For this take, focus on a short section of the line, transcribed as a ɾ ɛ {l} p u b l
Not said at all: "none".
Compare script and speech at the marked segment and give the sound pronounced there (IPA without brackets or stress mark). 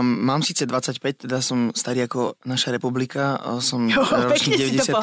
none